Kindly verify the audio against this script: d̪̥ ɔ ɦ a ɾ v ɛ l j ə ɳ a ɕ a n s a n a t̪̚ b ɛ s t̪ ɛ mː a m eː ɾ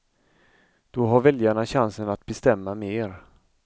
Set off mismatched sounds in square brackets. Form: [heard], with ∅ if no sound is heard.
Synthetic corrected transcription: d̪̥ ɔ ɦ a ɾ v ɛ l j [a] ɳ a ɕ a n s [ə] n a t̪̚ b ɛ s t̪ ɛ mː a m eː ɾ